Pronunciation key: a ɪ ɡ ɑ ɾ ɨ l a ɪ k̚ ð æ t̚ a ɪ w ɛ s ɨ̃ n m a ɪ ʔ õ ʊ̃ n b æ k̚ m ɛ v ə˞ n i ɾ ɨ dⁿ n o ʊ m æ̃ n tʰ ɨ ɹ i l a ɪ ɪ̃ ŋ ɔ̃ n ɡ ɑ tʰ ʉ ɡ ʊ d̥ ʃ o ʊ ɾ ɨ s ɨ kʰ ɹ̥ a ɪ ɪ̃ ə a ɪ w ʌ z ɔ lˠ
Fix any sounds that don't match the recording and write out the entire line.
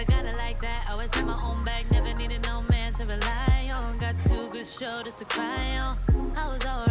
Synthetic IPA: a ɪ ɡ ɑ ɾ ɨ l a ɪ k̚ ð æ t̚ a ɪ w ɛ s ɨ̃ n m a ɪ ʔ õ ʊ̃ n b æ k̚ n ɛ v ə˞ n i ɾ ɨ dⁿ n o ʊ m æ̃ n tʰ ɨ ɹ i l a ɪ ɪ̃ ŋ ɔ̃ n ɡ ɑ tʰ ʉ ɡ ʊ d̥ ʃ o ʊ ɾ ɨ s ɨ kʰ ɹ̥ a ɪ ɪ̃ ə a ɪ w ʌ z ɔ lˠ